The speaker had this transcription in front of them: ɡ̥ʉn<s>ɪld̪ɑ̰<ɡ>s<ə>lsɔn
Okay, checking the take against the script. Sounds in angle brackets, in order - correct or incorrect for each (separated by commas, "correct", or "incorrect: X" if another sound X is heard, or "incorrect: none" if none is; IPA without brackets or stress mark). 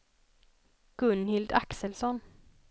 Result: incorrect: h, incorrect: k, correct